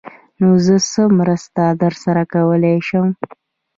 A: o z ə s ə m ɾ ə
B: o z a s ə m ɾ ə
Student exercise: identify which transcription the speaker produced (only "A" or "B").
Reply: A